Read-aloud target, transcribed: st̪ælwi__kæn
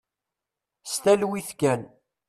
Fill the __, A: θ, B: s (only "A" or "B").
A